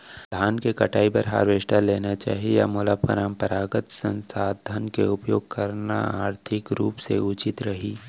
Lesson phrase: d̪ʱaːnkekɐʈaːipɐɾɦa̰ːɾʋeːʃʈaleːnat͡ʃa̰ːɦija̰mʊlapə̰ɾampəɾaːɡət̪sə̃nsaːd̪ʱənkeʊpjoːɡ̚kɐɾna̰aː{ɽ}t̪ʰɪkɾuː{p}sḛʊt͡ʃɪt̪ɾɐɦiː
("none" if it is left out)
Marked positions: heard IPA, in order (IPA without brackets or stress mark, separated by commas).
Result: ɾ, p